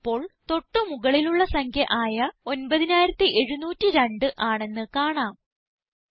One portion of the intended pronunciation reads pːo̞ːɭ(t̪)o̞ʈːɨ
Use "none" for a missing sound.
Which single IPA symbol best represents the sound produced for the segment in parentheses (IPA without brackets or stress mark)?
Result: t̪